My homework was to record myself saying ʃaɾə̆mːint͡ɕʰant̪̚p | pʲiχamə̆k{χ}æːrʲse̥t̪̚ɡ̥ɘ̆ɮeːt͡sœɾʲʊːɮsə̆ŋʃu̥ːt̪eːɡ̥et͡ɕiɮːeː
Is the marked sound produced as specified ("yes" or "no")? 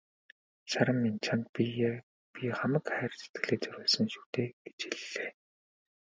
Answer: yes